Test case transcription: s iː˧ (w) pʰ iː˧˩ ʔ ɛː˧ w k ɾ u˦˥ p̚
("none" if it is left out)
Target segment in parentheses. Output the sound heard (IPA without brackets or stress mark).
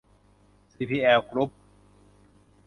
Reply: none